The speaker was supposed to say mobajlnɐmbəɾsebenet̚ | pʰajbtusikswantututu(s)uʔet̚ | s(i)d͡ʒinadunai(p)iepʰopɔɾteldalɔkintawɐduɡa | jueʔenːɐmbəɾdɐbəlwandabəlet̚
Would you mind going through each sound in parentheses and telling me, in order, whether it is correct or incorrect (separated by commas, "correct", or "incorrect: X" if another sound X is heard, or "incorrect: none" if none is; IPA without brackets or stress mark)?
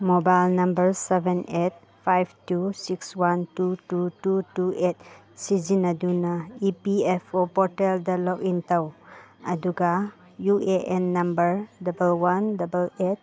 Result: incorrect: t, correct, correct